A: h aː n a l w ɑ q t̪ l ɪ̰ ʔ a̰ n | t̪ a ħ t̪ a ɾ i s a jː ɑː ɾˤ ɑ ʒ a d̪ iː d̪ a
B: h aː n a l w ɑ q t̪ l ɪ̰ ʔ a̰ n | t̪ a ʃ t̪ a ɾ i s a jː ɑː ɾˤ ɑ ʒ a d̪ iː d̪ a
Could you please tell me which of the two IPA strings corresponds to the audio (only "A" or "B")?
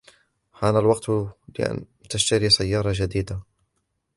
B